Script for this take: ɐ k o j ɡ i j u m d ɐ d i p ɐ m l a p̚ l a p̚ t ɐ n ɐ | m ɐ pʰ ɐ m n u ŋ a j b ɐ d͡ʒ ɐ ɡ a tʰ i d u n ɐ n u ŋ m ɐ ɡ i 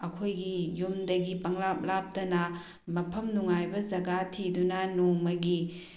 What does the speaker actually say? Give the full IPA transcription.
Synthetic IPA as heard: ɐ kʰ o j ɡ i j u m d ɐ ɡ i p ɐ ŋ l a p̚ l a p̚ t ɐ n ɐ | m ɐ pʰ ɐ m n u ŋ a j b ɐ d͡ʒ ɐ ɡ a tʰ i d u n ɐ n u ŋ m ɐ ɡ i